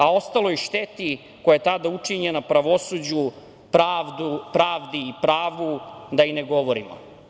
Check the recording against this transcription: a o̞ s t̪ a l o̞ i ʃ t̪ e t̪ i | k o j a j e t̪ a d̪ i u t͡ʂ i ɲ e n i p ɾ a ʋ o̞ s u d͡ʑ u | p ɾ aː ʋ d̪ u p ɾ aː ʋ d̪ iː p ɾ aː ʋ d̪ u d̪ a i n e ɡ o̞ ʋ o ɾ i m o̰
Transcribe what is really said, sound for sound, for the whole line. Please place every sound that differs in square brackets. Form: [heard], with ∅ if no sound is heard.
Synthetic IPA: a o̞ s t̪ a l o̞ i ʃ t̪ e t̪ i | k o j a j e t̪ a d̪ [a] u t͡ʂ i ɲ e n [a] p ɾ a ʋ o̞ s u d͡ʑ u | p ɾ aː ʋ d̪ u p ɾ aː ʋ d̪ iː p ɾ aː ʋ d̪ u d̪ a i n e ɡ o̞ ʋ o ɾ i m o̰